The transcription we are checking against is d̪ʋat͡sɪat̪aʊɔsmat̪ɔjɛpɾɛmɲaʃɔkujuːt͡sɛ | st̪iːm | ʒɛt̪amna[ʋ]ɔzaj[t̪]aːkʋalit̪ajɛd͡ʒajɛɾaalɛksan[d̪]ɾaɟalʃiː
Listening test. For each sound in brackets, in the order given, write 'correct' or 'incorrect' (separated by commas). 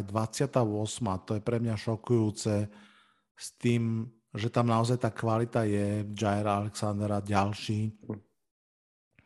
incorrect, correct, correct